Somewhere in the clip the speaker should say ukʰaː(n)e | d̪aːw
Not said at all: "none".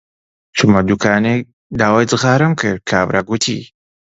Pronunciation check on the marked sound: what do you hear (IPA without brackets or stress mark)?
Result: n